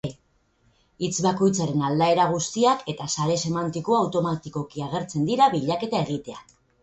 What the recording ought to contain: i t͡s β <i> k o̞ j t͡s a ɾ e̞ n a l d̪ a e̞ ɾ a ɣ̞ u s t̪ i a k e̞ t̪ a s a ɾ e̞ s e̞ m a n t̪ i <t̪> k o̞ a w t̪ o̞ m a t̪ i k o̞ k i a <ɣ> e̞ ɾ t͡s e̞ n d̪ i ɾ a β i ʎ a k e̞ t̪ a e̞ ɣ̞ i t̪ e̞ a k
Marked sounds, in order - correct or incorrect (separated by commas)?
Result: incorrect, incorrect, correct